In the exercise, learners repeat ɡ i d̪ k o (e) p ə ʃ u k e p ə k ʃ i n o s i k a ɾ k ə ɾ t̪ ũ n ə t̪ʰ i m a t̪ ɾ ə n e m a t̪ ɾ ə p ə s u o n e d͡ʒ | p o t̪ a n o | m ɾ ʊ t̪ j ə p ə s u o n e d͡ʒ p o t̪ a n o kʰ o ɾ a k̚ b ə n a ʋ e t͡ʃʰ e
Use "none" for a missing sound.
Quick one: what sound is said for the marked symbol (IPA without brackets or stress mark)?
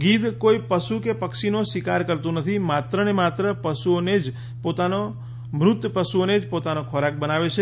i